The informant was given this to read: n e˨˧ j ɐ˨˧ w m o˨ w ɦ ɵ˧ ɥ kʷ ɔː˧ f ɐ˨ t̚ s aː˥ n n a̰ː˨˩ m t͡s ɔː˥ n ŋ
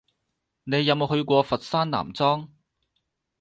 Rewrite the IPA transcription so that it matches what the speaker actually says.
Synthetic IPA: n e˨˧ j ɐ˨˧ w m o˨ w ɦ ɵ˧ ɥ kʷ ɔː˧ f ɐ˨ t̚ s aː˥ n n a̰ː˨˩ m t͡s ɔː˥ ŋ